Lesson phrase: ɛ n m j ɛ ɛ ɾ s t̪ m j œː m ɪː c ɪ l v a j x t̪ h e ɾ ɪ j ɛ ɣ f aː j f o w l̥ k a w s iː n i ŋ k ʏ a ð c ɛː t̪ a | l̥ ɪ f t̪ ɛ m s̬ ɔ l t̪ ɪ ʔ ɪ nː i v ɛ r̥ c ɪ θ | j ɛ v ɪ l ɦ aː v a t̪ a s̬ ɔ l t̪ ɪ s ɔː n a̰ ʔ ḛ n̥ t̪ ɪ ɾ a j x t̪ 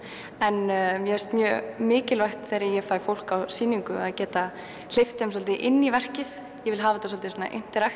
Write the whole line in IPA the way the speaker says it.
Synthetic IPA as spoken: ɛ n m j ɛ ɛ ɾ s t̪ m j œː m ɪː c ɪ l v a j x t̪ θ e ɾ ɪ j ɛ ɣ f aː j f o w l̥ k a w s iː n i ŋ k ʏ a ð c ɛː t̪ a | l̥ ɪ f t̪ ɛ m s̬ ɔ l t̪ ɪ ʔ ɪ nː i v ɛ r̥ c ɪ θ | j ɛ v ɪ l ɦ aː v a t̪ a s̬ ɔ l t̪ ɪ s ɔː n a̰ ʔ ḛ n̥ t̪ ɪ ɾ a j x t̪